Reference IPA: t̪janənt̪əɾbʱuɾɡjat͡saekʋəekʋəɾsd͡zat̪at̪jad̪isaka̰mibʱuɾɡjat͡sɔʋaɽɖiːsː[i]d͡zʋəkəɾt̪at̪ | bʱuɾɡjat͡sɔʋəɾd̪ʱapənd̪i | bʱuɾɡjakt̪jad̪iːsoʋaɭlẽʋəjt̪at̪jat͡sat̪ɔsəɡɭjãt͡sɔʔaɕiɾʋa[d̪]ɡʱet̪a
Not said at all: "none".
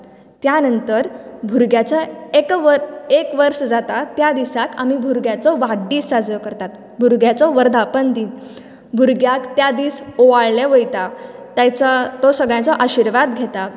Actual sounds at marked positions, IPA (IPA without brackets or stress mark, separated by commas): a, d̪